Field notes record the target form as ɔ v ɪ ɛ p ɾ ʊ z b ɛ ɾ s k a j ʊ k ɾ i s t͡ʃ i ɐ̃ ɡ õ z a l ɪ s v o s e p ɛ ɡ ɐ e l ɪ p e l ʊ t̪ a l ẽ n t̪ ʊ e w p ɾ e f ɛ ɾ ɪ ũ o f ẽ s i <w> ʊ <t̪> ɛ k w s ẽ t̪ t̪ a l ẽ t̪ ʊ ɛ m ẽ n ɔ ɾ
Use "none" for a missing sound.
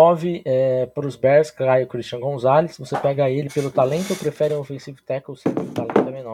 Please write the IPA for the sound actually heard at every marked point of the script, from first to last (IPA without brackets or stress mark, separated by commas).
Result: v, t̪